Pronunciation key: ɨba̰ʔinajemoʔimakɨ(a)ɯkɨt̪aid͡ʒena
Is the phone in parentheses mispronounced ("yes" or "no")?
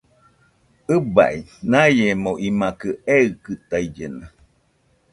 yes